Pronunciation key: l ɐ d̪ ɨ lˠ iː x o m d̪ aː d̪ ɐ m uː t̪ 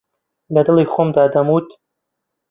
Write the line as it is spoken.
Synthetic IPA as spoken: l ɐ d̪ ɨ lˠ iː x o m d̪ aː d̪ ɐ m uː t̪